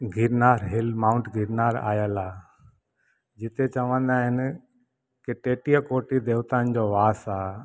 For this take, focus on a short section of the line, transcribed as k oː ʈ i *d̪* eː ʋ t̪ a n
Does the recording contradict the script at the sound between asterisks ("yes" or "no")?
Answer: no